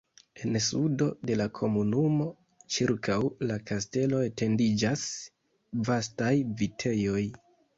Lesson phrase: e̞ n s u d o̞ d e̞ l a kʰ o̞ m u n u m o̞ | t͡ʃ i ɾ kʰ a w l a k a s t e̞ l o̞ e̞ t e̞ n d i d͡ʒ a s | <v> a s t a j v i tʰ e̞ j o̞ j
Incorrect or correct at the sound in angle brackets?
correct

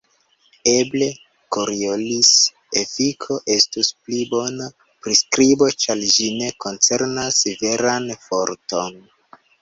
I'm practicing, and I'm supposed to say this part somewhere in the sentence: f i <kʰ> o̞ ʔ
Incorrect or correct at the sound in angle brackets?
correct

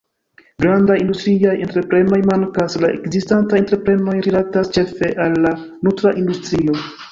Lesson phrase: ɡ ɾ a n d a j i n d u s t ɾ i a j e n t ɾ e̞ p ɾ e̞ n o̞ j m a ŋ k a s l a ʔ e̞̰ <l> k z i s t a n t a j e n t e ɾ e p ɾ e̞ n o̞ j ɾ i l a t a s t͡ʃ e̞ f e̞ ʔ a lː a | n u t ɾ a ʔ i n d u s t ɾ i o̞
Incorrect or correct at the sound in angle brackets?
incorrect: none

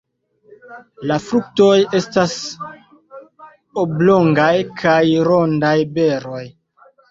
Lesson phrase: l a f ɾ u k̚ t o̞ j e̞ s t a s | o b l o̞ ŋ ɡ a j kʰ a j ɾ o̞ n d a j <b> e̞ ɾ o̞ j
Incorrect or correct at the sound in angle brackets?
correct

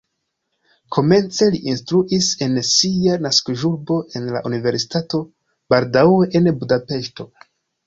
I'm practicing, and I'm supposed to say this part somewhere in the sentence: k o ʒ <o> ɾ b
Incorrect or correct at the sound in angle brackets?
incorrect: u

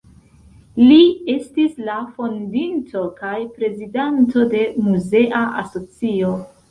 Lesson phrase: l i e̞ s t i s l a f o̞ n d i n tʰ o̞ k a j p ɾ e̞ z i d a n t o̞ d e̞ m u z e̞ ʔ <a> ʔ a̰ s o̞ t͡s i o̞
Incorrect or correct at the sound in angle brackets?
correct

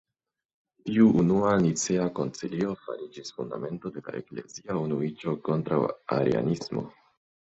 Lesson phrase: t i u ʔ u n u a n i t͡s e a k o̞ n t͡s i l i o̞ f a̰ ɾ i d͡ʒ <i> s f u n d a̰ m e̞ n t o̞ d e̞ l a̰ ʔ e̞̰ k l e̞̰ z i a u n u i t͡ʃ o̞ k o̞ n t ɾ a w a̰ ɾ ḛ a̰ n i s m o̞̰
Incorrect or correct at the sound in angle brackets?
correct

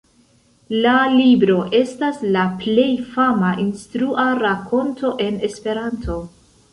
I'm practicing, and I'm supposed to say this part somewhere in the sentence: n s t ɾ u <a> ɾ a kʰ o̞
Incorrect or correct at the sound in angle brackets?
correct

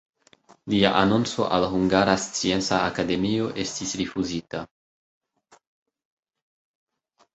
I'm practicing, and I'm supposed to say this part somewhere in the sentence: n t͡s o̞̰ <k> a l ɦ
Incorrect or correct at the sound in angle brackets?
incorrect: ʔ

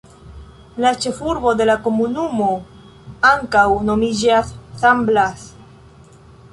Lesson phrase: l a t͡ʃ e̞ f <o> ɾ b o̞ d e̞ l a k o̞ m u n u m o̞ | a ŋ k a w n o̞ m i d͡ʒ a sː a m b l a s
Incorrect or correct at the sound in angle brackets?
incorrect: u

